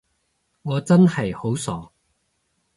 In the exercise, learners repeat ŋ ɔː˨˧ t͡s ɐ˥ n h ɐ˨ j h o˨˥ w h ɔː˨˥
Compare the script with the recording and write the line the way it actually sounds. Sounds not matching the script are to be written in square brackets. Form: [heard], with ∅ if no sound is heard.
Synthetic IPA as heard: ŋ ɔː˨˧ t͡s ɐ˥ n h ɐ˨ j h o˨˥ w [s] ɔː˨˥